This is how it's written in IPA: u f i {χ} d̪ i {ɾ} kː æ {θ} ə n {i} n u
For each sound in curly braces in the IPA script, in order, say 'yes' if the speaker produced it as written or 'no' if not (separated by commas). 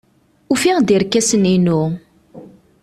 no, yes, no, yes